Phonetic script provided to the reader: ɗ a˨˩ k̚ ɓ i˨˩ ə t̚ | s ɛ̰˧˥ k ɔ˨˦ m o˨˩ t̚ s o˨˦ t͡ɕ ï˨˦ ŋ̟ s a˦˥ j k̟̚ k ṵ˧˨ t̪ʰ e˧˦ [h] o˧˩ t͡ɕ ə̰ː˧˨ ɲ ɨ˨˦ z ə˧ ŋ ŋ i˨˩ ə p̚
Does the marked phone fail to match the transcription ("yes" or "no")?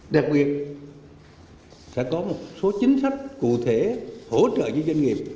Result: no